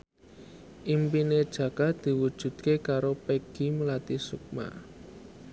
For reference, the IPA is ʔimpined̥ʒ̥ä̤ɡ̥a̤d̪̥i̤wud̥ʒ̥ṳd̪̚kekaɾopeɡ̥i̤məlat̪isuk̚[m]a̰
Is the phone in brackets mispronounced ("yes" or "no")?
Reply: no